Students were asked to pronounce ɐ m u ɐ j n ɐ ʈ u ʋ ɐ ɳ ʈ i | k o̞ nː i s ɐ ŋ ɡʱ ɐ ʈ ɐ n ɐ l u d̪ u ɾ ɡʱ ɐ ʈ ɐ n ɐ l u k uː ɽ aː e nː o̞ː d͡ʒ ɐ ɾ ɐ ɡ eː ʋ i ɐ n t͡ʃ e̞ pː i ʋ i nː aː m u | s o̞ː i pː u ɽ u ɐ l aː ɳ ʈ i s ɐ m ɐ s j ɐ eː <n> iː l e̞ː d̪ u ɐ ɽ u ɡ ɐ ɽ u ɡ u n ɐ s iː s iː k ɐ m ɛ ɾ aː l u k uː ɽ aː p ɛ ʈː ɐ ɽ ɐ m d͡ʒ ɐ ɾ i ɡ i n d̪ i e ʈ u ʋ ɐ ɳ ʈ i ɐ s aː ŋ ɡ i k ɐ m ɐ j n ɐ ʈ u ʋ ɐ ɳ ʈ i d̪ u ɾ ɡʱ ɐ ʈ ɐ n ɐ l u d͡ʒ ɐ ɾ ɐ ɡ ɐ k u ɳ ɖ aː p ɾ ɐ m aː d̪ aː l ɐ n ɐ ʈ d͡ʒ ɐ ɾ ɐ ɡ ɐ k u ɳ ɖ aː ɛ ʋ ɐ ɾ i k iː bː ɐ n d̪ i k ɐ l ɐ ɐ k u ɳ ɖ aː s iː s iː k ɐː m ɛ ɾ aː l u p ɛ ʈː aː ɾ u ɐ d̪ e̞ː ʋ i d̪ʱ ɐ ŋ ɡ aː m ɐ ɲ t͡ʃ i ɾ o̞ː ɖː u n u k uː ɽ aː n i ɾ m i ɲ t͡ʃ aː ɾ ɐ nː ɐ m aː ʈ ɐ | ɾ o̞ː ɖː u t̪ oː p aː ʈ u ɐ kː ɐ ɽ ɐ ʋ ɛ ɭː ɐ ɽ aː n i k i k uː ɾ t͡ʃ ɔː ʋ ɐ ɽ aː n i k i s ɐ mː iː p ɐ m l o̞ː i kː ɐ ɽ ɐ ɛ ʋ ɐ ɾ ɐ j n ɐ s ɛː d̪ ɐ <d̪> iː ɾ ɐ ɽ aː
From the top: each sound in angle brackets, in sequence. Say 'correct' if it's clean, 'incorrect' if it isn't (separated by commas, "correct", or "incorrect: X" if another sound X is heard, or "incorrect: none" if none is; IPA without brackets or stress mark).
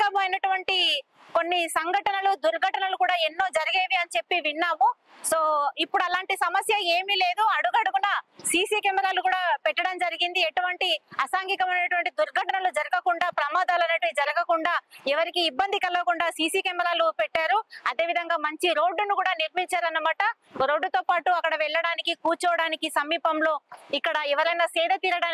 incorrect: m, incorrect: t̪